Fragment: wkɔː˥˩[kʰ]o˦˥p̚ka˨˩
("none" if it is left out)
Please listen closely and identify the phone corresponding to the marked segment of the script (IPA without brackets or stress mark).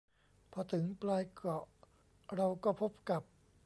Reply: pʰ